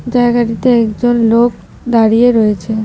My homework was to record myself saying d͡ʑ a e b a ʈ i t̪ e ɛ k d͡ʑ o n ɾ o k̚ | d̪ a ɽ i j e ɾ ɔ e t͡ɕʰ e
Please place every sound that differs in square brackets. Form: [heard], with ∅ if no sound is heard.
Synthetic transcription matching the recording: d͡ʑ a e [ɡ] a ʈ i t̪ e ɛ k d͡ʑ o n [l] o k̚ | d̪ a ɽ i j e ɾ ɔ e t͡ɕʰ e